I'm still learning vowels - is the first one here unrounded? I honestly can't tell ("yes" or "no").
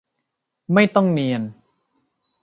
yes